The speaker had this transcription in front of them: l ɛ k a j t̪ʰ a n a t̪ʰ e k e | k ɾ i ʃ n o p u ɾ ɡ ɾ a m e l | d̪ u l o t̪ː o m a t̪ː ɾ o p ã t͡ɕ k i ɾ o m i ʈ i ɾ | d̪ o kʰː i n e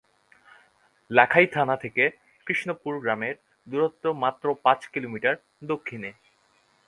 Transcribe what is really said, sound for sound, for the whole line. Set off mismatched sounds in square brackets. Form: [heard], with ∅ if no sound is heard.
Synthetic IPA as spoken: l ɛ [kʰ] a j t̪ʰ a n a t̪ʰ e k e | k ɾ i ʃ n o p u ɾ ɡ ɾ a m e [ɾ] | d̪ u [ɾ] o t̪ː o m a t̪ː ɾ o p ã t͡ɕ k i [l] o m i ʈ [a] ɾ | d̪ o kʰː i n e